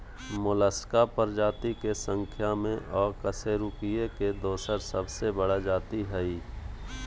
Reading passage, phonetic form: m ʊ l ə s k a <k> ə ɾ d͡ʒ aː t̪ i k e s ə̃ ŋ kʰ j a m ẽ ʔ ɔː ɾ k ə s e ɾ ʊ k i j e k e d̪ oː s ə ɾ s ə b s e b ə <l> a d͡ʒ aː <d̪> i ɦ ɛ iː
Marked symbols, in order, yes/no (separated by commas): no, no, no